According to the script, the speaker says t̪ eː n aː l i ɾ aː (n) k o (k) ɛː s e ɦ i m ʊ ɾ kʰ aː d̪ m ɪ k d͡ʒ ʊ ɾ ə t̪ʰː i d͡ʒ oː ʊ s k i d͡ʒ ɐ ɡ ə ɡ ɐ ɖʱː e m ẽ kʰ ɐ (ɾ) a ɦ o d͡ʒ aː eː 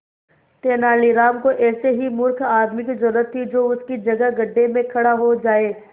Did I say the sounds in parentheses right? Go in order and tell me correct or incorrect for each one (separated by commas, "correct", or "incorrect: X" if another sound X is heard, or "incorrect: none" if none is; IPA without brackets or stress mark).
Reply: incorrect: m, incorrect: ʔ, incorrect: ɽ